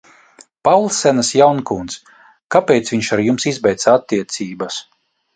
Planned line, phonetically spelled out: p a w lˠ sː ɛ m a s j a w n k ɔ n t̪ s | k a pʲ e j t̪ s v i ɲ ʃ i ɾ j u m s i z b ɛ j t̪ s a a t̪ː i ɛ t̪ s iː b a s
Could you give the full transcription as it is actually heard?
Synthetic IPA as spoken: p a w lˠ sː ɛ n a s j a w n k u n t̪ s | k a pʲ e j t̪ s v i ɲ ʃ a ɾ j u m s i z b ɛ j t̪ s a a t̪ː i ɛ t̪ s iː b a s